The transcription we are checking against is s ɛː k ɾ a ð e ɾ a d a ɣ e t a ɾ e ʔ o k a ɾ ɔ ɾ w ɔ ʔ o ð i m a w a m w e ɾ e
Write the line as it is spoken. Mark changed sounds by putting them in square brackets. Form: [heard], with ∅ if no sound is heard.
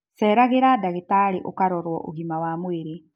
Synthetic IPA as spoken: s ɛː [∅] ɾ a [ɣ] e ɾ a d a ɣ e t a ɾ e ʔ o k a ɾ ɔ ɾ w ɔ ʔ o [ɣ] i m a w a m w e ɾ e